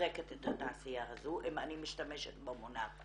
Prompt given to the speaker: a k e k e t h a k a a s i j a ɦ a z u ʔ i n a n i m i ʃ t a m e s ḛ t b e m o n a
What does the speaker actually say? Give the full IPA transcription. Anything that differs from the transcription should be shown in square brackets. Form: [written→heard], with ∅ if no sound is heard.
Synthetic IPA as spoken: [a→e] k e [k→t] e t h a [k→t] a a s i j a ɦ a z u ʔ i [n→m] a n i m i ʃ t a m e [s→ʃ] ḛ t b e m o n a